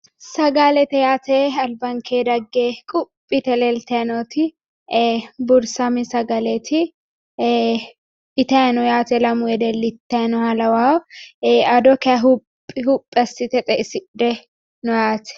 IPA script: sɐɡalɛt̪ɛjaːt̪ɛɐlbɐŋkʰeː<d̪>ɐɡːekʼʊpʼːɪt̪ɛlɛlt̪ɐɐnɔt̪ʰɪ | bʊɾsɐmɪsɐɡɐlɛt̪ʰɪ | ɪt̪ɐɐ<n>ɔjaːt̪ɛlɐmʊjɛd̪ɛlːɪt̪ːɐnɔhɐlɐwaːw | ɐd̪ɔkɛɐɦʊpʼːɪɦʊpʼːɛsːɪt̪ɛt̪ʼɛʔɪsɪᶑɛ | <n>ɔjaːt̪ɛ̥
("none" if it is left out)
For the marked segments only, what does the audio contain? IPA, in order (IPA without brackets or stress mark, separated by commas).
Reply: d̪, n, n